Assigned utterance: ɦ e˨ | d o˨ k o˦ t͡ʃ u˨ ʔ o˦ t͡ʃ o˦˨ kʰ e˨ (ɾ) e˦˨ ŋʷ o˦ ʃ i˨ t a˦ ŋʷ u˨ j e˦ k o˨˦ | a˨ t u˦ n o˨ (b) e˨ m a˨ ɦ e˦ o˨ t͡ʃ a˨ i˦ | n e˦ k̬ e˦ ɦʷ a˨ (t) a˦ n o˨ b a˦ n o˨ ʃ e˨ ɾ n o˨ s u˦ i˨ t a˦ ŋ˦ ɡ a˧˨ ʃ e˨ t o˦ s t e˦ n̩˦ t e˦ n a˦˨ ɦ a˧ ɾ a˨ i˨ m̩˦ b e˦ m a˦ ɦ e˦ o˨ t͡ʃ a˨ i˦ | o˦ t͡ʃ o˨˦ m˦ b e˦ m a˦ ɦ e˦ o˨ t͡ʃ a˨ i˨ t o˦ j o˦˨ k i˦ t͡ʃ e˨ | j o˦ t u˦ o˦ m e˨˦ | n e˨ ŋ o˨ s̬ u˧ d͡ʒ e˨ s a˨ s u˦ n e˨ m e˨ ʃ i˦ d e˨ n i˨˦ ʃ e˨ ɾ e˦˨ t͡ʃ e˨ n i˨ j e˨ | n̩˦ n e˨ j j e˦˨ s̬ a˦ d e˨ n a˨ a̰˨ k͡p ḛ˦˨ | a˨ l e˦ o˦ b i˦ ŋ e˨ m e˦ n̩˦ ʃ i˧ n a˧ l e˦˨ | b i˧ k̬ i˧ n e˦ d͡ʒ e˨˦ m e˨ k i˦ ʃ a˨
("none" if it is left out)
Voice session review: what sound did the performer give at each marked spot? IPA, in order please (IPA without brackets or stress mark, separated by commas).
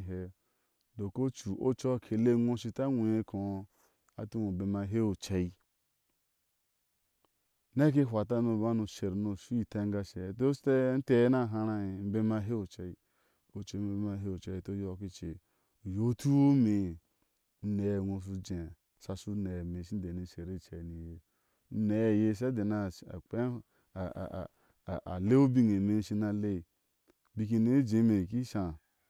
l, b, t